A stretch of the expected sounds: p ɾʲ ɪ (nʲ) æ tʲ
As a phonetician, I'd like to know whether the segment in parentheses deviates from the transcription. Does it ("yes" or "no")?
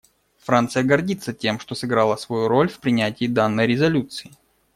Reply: no